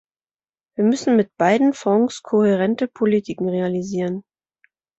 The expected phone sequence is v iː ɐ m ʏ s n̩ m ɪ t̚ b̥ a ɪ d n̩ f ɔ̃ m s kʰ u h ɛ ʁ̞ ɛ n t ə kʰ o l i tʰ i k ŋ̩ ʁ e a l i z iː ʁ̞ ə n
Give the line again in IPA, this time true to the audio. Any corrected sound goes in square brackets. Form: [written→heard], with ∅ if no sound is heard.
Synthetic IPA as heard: v iː ɐ m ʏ s n̩ m ɪ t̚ b̥ a ɪ d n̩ f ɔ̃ [m→ŋ] s kʰ [u→o] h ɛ ʁ̞ ɛ n t ə [kʰ→pʰ] o l i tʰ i k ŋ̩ ʁ e a l i z iː ʁ̞ ə n